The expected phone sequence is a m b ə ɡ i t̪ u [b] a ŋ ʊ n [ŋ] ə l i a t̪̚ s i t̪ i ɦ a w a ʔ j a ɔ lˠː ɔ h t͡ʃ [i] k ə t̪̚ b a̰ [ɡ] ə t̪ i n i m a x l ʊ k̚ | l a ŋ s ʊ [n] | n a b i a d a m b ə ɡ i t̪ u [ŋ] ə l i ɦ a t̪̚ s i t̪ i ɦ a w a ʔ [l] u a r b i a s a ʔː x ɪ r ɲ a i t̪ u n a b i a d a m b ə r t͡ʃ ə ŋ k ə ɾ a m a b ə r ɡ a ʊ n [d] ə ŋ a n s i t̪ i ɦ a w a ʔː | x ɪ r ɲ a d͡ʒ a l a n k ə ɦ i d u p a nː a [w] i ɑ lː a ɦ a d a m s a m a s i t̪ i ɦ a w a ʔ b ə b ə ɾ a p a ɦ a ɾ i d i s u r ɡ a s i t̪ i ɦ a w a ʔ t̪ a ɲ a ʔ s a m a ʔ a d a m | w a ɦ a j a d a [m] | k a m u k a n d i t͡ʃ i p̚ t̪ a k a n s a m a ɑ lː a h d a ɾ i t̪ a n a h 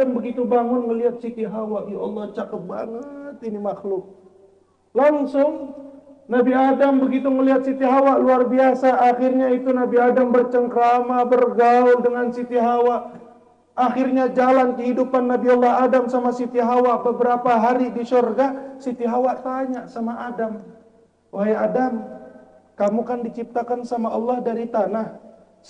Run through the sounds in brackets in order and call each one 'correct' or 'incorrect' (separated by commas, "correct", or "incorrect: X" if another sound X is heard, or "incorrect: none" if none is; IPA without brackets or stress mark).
correct, correct, incorrect: a, incorrect: ŋ, incorrect: ŋ, correct, correct, correct, incorrect: b, correct